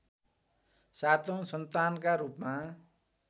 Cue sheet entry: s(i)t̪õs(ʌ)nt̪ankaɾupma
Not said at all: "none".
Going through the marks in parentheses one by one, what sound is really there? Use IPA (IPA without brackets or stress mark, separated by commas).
a, ʌ